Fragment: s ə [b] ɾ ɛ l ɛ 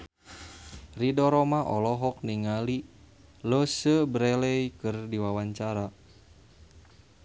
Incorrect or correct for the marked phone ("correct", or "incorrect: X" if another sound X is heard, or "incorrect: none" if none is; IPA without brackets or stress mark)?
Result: correct